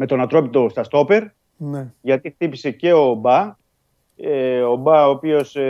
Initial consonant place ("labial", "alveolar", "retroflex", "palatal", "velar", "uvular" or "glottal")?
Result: labial